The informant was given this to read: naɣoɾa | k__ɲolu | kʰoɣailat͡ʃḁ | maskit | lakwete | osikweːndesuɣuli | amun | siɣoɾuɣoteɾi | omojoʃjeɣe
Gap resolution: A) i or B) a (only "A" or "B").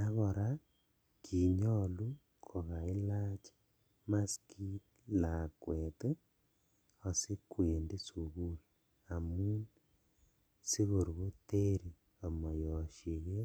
A